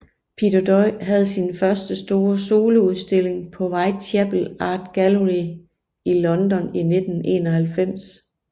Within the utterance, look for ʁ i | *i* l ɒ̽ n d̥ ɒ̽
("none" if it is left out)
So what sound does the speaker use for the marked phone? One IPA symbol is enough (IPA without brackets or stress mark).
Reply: i